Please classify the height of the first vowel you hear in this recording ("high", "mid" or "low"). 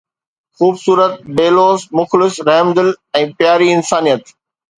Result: high